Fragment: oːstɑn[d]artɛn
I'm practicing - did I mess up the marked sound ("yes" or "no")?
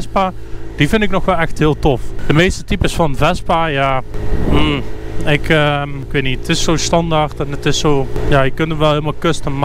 no